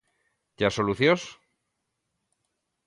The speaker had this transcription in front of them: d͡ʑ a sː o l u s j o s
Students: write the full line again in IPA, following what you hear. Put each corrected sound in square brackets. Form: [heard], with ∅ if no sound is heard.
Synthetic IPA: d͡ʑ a [s] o l u [θ] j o s